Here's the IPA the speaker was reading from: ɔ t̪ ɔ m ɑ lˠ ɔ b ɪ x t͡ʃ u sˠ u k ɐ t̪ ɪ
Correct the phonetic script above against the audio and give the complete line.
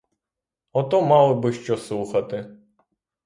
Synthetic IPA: ɔ t̪ ɔ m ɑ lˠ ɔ b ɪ ʃ t͡ʃ ɔ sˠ u x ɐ t̪ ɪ